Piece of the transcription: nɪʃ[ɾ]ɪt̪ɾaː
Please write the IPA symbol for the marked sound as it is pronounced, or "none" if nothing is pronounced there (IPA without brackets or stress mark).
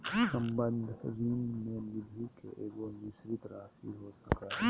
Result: ɾ